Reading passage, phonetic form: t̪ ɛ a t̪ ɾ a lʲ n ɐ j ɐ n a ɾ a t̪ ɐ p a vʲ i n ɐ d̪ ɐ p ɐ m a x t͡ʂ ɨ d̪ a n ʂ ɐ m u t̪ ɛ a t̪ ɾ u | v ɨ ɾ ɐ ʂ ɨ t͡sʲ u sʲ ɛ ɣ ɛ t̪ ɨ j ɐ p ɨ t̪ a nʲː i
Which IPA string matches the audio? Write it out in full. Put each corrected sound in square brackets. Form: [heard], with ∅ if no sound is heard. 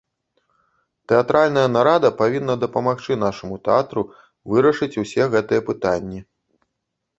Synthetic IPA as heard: t̪ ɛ a t̪ ɾ a lʲ n ɐ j ɐ n a ɾ a [d̪] ɐ p a vʲ i [nː] ɐ d̪ ɐ p ɐ m a x t͡ʂ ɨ [n̪] a [∅] ʂ ɐ m u t̪ ɛ a t̪ ɾ u | v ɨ ɾ ɐ ʂ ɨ t͡sʲ u sʲ ɛ ɣ ɛ t̪ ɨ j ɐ p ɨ t̪ a nʲː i